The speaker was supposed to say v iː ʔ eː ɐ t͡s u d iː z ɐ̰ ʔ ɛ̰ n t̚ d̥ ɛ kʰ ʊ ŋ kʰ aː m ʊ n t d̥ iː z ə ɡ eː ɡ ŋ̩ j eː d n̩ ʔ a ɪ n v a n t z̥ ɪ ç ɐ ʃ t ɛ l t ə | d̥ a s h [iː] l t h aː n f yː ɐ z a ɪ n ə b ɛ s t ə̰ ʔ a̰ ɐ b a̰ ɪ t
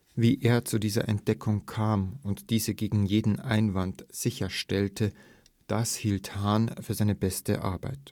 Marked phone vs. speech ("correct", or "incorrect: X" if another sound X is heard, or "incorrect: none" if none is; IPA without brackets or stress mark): correct